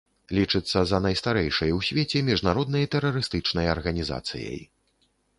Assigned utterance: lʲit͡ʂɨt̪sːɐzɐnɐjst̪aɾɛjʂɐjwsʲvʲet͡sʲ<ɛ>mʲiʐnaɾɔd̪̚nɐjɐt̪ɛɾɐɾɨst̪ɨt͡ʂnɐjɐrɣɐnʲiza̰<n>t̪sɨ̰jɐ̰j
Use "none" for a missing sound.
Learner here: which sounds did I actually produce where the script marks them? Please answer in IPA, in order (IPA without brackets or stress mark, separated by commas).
ɛ, none